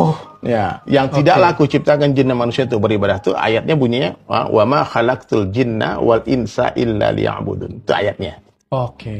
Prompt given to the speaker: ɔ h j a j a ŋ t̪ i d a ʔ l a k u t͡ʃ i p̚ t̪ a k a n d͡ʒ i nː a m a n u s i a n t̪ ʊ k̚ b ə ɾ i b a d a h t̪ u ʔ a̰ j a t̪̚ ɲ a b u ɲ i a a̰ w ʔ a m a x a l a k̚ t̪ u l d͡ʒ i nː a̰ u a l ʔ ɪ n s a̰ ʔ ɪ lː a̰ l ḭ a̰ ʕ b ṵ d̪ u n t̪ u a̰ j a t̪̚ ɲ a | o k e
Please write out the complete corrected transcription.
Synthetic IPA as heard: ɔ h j a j a ŋ t̪ i d a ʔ l a k u t͡ʃ i p̚ t̪ a k a n d͡ʒ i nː a m a n u s i a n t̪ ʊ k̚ b ə ɾ i b a d a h t̪ u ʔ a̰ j a t̪̚ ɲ a b u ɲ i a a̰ w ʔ a m a x a l a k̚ t̪ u l d͡ʒ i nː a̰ w a l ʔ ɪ n s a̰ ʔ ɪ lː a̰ l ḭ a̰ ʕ b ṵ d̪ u n t̪ u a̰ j a t̪̚ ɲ a | o k e